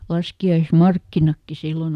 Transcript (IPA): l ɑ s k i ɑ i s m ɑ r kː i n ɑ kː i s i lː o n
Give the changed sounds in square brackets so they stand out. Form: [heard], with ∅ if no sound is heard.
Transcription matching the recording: l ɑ s k i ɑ i s m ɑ r kː i n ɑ kː i s i lː o n

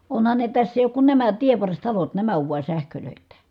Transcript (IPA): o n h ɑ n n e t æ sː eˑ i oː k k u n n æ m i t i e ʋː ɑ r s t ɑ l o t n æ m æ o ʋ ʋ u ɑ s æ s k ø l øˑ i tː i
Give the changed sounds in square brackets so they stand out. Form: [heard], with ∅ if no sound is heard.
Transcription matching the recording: o n h ɑ n n e t æ sː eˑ i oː k k u n n æ m [æ] t i e ʋː ɑ r s t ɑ l o t n æ m æ o ʋ ʋ u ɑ s æ [h] k ø l øˑ i tː [æ]

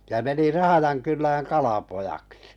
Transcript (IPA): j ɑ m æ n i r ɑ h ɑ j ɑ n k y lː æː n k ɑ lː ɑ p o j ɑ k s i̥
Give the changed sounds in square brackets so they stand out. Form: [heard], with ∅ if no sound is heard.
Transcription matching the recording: j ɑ m [e] n i r ɑ h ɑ j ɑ n k y lː æː [ŋ] k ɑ [l] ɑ p o j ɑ k s i̥

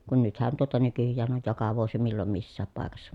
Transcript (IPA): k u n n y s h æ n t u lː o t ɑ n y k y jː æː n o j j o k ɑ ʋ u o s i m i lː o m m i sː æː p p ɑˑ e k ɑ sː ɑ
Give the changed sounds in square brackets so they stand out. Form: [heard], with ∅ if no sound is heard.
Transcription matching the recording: k u n n y [t] h æ n t u [∅] o t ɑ n y k y jː æː n o j j o k ɑ ʋ u o s i m i lː o m m i sː æː p p ɑˑ e k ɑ sː ɑ

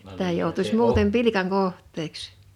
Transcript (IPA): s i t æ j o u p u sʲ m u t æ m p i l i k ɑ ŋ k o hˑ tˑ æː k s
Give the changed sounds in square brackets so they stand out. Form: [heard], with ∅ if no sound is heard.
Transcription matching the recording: s i t æ j o u [t] u sʲ m [uː] t [e] m p i l i k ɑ ŋ k o hˑ tˑ [eː] k s

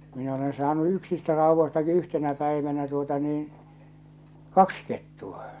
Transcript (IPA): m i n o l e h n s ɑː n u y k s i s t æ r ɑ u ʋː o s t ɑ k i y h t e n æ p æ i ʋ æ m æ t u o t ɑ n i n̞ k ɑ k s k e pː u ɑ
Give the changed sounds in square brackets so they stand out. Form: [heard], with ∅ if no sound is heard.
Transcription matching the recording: m i n o l e [∅] n s ɑː n u y k s i s t æ r ɑ u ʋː o s t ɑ k i y h t e n æ p æ i ʋ æ [n] æ t u o t ɑ n [iː] n̞ k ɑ k s k e [tː] u ɑ

